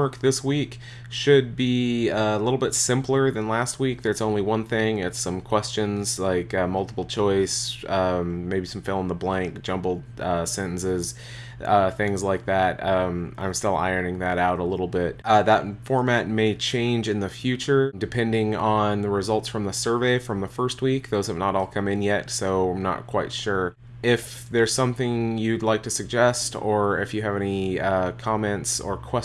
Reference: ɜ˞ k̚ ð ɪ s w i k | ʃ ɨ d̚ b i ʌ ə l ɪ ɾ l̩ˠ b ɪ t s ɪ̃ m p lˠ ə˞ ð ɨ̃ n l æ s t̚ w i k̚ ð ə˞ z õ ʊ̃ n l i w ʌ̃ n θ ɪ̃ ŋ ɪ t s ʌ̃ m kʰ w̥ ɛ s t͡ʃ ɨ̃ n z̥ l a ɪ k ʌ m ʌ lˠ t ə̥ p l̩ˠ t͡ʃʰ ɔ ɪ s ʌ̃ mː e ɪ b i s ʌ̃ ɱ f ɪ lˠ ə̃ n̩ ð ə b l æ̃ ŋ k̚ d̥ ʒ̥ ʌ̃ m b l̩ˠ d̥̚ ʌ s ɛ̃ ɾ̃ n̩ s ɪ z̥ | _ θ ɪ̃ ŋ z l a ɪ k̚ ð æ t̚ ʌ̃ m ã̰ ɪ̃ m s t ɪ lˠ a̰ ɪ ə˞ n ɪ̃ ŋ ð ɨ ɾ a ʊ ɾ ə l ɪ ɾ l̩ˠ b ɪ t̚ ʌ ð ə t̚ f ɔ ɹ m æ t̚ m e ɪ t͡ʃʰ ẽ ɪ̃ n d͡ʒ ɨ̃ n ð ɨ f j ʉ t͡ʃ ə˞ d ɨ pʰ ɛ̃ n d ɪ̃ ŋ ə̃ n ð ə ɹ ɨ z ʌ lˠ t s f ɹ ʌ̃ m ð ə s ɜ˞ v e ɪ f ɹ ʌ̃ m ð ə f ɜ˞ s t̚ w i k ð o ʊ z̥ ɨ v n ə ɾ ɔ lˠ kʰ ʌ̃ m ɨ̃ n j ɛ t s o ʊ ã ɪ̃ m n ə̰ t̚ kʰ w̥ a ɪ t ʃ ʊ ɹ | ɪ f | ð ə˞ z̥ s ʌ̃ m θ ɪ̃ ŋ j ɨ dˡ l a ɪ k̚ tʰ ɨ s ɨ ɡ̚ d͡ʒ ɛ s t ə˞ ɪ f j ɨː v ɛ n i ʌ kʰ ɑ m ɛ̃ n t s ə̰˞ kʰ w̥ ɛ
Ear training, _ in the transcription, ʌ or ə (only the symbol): ʌ